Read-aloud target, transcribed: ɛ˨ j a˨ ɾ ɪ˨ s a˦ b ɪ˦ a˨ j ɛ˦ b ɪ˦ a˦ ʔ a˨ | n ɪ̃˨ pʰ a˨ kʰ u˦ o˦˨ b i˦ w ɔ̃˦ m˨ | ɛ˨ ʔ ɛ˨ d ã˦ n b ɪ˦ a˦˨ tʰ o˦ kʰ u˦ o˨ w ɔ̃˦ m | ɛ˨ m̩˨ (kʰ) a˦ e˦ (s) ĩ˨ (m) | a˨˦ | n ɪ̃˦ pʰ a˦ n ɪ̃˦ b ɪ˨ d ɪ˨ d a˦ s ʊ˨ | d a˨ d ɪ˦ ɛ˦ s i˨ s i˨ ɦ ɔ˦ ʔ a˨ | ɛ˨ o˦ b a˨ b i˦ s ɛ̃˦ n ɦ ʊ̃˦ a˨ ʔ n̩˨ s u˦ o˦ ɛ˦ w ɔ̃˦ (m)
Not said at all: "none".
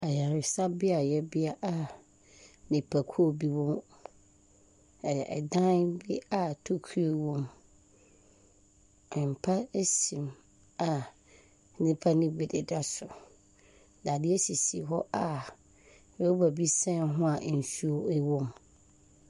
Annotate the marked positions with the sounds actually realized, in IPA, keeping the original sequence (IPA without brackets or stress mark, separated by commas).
pʰ, s, m, m